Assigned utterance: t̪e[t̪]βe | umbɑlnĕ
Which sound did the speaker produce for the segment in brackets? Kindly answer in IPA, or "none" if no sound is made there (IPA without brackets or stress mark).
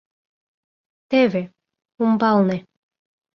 none